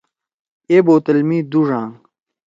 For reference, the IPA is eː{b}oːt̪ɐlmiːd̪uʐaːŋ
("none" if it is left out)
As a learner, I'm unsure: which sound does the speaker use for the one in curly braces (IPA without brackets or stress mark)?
b